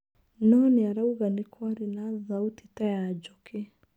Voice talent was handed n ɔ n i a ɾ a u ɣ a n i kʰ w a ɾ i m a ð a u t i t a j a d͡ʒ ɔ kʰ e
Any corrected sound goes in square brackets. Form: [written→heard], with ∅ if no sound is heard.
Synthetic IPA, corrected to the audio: n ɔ n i a ɾ a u ɣ a n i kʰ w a ɾ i [m→n] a ð a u t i t a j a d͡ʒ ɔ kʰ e